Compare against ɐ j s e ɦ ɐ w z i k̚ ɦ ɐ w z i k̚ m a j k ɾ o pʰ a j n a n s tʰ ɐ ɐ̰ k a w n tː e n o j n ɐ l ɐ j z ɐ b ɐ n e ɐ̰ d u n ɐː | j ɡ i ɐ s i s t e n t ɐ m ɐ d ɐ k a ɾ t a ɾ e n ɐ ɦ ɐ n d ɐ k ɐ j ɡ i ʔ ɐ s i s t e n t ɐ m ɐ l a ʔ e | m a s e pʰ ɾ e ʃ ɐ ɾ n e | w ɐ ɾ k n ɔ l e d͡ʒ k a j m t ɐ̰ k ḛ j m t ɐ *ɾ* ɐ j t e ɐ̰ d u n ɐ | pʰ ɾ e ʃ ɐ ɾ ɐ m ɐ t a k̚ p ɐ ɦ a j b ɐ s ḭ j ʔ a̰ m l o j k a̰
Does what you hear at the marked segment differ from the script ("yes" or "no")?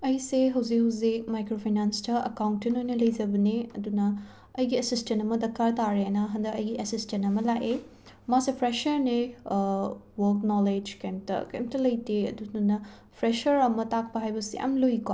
yes